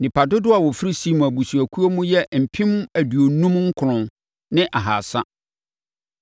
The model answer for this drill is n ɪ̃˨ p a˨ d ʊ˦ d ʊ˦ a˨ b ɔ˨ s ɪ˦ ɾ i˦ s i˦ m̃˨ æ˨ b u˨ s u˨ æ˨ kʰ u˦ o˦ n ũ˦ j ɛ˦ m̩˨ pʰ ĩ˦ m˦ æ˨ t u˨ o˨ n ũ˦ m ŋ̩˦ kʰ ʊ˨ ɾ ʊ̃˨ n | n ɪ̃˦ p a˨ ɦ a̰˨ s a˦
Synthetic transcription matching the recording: n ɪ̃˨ p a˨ d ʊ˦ d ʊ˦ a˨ w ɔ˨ f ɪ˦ ɾ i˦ s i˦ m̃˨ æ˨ b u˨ s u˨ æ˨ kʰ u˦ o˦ m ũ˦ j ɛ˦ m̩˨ pʰ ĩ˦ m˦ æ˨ d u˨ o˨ n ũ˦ m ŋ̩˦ kʰ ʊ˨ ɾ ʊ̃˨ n | n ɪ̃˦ ʔ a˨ ɦ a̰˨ s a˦